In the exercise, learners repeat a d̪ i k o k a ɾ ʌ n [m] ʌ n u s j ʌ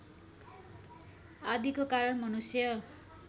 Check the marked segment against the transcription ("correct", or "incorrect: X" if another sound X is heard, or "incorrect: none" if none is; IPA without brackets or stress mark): correct